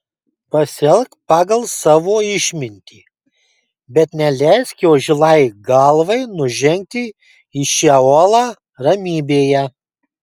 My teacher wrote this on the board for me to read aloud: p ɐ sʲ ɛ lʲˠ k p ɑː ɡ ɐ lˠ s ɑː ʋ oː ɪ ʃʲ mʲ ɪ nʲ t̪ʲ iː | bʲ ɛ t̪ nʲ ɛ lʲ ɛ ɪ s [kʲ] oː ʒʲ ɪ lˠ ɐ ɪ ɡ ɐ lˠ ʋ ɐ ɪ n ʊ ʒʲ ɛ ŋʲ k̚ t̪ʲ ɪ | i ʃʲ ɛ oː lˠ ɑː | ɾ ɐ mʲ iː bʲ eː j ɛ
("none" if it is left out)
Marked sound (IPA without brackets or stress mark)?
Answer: kʲ